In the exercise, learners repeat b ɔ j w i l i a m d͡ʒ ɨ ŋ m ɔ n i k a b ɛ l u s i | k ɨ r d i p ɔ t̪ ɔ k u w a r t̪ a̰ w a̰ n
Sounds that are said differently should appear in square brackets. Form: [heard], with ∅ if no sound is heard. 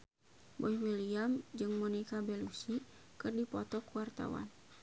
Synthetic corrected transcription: b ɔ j w i l i a m d͡ʒ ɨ ŋ m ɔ n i k a b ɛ l u s i | k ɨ r d i p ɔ t̪ ɔ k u w a r t̪ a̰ w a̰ n